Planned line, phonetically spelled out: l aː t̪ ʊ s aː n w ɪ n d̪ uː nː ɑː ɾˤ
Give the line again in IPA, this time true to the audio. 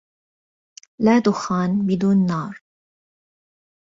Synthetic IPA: l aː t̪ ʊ x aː n b ɪ d̪ uː nː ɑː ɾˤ